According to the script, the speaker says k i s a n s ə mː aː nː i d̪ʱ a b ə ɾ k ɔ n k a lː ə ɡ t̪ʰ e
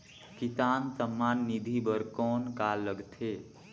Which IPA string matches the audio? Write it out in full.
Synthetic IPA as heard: k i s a n s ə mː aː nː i d̪ʱ i b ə ɾ k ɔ n k a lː ə ɡ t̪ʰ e